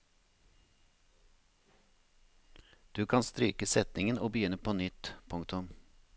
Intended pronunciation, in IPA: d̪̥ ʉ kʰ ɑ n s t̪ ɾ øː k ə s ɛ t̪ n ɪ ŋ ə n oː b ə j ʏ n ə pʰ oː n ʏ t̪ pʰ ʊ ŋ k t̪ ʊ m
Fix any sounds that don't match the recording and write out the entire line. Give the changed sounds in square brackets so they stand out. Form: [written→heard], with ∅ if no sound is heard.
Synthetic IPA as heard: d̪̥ [ʉ→ʉː] kʰ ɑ n s t̪ ɾ [øː→yː] k ə s ɛ t̪ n ɪ ŋ ə n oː b ə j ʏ n ə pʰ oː n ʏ t̪ pʰ ʊ ŋ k t̪ ʊ m

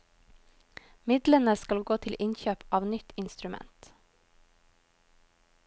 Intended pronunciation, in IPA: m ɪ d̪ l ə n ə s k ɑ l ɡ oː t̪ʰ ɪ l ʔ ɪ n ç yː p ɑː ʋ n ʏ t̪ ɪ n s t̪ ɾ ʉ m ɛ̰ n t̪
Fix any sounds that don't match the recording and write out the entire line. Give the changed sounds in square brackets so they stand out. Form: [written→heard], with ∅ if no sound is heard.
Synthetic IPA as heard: m ɪ d̪ l ə n ə s k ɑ l ɡ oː t̪ʰ ɪ l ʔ ɪ n ç [yː→øː] p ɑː ʋ n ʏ t̪ ɪ n s t̪ ɾ ʉ m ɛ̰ n t̪

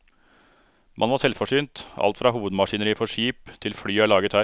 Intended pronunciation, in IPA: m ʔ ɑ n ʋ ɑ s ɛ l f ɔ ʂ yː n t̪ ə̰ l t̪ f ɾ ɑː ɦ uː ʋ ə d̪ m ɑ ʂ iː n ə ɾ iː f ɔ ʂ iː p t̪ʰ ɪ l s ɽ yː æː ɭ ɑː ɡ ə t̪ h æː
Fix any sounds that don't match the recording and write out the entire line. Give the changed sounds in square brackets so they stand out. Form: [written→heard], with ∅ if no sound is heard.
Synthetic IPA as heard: m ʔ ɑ n ʋ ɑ s ɛ l f ɔ ʂ yː n t̪ [ə̰→ɑ̰] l t̪ f ɾ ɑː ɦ uː ʋ ə d̪ m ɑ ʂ iː n ə ɾ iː f ɔ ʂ iː p t̪ʰ ɪ l [s→f] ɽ yː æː ɭ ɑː ɡ ə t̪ h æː

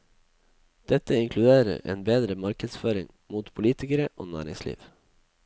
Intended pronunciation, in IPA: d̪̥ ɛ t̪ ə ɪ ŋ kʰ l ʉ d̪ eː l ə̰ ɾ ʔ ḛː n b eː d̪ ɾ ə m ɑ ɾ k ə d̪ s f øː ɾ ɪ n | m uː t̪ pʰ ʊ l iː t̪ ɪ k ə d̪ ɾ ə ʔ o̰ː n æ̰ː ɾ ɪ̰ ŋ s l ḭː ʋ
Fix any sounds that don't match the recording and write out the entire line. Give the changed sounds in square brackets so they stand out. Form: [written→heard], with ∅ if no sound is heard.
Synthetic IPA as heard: d̪̥ ɛ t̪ ə ɪ ŋ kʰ l ʉ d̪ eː [l→ɾ] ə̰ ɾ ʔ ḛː n b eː d̪ ɾ ə m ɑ ɾ k ə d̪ s f øː ɾ ɪ [n→ŋ] | m uː t̪ pʰ ʊ l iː t̪ ɪ k ə [d̪→∅] ɾ ə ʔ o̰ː n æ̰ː ɾ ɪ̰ ŋ s l ḭː ʋ

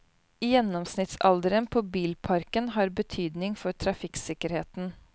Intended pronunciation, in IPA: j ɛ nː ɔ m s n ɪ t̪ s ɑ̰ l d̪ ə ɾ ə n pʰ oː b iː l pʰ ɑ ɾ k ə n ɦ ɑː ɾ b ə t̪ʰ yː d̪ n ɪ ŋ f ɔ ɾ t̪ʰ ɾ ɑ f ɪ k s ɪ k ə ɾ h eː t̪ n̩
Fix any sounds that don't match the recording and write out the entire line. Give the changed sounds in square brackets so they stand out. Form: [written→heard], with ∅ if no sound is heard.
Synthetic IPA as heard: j ɛ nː ɔ m s n ɪ t̪ s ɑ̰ l d̪ ə ɾ ə n pʰ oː b iː l pʰ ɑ ɾ k ə n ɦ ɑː ɾ b ə t̪ʰ yː d̪ n ɪ ŋ f ɔ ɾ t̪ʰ ɾ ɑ f ɪ k s ɪ k ə ɾ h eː t̪ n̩

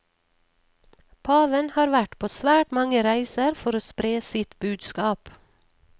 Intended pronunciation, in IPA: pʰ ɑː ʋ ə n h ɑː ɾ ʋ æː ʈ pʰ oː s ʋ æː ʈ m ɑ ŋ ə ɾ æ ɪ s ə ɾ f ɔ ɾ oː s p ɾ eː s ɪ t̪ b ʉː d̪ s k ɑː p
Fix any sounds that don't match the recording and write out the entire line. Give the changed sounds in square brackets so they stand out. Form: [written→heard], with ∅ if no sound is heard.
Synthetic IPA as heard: pʰ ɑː ʋ ə n h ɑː ɾ ʋ [æː→æ] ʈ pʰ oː s ʋ æː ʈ m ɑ ŋ ə ɾ æ ɪ s ə ɾ f ɔ ɾ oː s p ɾ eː s ɪ t̪ b ʉː d̪ s k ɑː p

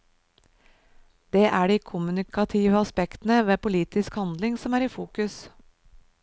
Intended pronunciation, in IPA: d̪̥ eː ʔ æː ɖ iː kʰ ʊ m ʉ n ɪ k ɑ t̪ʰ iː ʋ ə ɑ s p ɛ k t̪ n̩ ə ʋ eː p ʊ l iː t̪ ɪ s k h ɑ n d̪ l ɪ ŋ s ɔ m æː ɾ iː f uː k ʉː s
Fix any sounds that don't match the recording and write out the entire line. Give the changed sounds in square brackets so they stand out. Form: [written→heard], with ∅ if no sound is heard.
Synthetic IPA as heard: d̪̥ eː ʔ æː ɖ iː kʰ ʊ m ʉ n ɪ k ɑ t̪ʰ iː ʋ ə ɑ s p ɛ k t̪ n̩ ə ʋ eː p ʊ l iː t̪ ɪ s k h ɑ n d̪ l ɪ ŋ s ɔ m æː ɾ iː f uː k [ʉː→ʉ] s

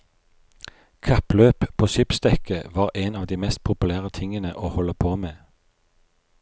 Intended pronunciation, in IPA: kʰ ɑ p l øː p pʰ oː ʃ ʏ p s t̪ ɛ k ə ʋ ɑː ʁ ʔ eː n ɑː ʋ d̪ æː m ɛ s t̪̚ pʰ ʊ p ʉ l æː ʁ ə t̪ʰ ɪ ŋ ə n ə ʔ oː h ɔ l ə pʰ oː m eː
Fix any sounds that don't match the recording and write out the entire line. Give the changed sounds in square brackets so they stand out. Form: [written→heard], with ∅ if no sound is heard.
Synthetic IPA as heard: kʰ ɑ p l øː p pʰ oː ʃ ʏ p s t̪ ɛ k ə ʋ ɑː ʁ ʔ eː n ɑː ʋ d̪ [æː→iː] m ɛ s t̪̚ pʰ ʊ p ʉ l æː ʁ ə t̪ʰ ɪ ŋ ə n ə ʔ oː h ɔ l ə pʰ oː m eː

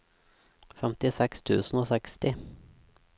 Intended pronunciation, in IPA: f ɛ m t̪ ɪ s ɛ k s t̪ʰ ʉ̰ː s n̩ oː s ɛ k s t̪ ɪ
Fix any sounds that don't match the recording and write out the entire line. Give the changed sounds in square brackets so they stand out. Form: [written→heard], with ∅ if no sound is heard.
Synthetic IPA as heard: f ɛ m t̪ ɪ s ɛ k s t̪ʰ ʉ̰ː s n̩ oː s ɛ k s t̪ ɪ

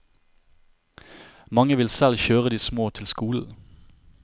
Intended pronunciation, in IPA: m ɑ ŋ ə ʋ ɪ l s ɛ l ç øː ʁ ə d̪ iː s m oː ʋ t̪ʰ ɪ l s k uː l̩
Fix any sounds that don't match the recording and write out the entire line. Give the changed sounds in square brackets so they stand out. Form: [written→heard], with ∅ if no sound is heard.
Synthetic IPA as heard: m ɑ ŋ ə ʋ ɪ l s ɛ l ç øː ʁ ə d̪ iː s m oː [ʋ→∅] t̪ʰ ɪ l s k uː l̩

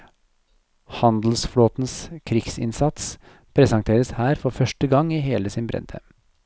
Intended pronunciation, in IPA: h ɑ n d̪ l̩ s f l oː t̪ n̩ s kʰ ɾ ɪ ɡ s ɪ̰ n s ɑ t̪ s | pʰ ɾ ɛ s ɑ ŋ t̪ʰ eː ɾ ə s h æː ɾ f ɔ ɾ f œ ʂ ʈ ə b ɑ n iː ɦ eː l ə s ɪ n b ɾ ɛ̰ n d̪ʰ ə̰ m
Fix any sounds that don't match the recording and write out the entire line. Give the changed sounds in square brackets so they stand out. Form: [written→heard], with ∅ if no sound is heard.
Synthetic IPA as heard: h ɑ n d̪ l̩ s f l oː t̪ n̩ s kʰ ɾ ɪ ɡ s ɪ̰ n s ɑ t̪ s | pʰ ɾ ɛ s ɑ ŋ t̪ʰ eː ɾ ə s h æː ɾ f ɔ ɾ f œ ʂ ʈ ə [b→ɡ] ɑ [n→ŋ] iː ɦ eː l ə s ɪ n b ɾ ɛ̰ n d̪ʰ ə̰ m

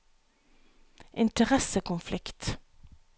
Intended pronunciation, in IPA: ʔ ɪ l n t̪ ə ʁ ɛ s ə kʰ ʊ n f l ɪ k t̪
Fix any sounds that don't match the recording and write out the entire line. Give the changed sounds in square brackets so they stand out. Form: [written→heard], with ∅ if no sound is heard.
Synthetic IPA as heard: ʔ ɪ [l→∅] n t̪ ə ʁ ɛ s ə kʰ ʊ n f l ɪ k t̪

